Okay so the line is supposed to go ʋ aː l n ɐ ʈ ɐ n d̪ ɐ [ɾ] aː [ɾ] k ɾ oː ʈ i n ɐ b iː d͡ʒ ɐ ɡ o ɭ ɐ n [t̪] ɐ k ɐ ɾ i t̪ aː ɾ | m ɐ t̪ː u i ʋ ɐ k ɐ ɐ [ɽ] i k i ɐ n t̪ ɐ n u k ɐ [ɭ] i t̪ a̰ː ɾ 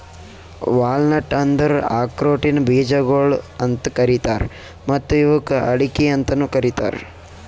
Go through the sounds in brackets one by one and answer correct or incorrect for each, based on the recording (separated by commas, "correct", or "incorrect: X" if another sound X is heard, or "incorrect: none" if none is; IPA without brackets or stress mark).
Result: correct, incorrect: none, correct, correct, incorrect: ɾ